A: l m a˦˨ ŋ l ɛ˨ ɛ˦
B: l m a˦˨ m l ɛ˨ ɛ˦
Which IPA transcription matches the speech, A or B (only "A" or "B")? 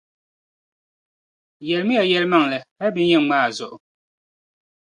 A